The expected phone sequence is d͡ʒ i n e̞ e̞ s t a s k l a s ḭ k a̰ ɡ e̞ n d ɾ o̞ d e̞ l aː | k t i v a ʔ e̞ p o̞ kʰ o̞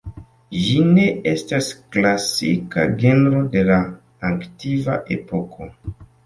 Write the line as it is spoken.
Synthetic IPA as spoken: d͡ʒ i n e̞ e̞ s t a s k l a s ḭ k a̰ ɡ e̞ n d ɾ o̞ d e̞ l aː | k t i v a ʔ e̞ p o̞ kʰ o̞